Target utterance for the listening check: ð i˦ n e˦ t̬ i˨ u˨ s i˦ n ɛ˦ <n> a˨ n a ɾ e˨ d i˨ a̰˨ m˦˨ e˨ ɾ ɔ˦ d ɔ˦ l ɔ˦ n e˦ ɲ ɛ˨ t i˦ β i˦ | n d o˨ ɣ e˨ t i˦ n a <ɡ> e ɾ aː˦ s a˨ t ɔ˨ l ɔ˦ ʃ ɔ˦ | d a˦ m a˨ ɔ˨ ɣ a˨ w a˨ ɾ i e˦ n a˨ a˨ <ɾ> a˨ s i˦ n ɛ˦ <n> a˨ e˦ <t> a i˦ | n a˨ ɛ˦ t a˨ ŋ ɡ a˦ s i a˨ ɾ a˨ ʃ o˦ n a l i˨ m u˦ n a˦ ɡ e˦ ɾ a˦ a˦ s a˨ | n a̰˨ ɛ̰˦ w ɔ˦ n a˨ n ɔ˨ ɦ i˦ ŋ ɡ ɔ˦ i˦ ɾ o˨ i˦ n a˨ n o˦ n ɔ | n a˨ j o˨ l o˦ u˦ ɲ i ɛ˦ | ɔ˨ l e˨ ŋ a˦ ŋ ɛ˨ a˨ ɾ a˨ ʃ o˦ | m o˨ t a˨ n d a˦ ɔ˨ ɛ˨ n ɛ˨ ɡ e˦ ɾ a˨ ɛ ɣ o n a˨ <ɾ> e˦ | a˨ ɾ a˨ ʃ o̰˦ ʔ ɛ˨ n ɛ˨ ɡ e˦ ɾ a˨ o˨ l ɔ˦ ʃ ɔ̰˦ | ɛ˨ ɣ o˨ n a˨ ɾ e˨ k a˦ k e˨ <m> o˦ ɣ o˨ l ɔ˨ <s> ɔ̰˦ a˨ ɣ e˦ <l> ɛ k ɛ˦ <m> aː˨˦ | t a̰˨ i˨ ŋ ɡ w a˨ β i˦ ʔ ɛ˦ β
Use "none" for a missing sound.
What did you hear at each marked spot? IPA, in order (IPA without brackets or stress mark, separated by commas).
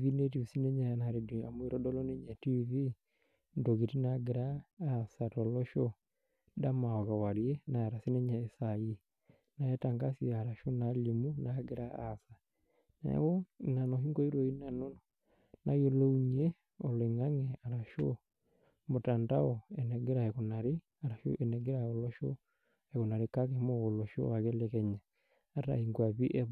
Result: ɲ, ɡ, ɾ, ɲ, s, ɾ, m, ʃ, l, ɲ